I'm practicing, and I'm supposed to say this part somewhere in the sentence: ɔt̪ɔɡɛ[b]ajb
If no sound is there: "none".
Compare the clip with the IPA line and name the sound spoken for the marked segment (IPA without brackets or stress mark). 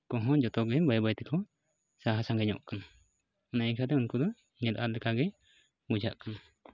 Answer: b